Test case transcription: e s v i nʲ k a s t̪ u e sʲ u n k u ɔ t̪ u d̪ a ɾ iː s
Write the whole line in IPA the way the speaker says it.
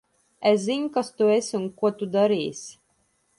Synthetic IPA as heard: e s z i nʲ k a s t̪ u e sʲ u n k u ɔ t̪ u d̪ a ɾ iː s